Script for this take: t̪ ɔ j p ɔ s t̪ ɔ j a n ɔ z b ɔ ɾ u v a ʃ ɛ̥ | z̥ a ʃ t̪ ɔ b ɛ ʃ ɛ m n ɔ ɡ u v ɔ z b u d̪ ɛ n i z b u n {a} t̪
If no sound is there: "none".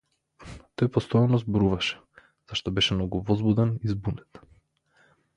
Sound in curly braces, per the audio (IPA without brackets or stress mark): ɛ